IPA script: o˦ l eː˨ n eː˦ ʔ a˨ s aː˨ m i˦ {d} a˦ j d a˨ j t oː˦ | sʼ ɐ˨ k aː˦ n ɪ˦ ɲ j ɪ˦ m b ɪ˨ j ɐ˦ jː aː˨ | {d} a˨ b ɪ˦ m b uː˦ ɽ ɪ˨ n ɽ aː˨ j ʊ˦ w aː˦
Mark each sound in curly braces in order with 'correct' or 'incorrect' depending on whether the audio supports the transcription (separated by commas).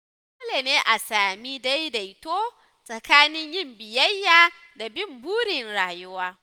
correct, correct